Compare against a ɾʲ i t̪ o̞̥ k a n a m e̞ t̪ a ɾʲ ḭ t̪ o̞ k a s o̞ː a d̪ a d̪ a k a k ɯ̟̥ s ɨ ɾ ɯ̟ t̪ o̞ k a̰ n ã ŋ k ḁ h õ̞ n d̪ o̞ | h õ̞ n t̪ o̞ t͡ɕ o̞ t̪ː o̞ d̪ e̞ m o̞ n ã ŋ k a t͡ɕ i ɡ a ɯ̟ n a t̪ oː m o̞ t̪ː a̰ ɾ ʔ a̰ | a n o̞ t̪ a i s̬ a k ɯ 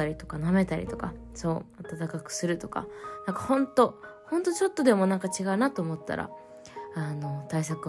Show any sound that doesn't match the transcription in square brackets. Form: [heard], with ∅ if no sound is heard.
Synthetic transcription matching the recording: a ɾʲ i t̪ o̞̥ k a n a m e̞ t̪ a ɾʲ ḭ t̪ o̞ k a s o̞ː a [t̪] a [t̪] a k a k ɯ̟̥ s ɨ ɾ ɯ̟ t̪ o̞ k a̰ n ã ŋ k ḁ h õ̞ n [t̪] o̞ | h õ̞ n t̪ o̞ t͡ɕ o̞ t̪ː o̞ d̪ e̞ m o̞ n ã ŋ k a t͡ɕ i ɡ a ɯ̟ n a t̪ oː m o̞ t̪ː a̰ ɾ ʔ a̰ | a n o̞ t̪ a i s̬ a k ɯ